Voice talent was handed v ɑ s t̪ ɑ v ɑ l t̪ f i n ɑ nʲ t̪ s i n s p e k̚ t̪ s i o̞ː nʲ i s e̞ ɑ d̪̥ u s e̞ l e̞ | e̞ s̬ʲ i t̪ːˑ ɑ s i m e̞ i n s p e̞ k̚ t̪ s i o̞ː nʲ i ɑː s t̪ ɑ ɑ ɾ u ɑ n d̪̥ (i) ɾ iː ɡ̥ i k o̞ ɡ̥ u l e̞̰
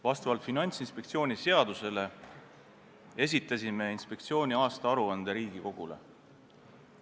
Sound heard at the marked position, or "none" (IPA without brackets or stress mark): e